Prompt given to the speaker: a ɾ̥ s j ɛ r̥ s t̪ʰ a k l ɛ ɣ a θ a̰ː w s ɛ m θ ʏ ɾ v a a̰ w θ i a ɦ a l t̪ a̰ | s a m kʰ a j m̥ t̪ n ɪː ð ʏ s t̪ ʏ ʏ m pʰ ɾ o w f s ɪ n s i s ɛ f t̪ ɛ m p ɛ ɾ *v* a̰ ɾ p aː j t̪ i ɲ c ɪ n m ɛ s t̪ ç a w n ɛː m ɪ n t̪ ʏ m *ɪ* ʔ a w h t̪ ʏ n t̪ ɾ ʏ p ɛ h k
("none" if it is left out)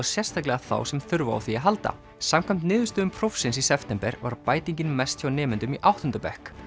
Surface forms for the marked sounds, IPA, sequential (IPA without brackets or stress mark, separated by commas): v, i